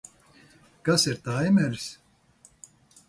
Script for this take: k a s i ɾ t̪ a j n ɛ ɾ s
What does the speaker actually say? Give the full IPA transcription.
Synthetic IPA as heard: k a s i ɾ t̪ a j m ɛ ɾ s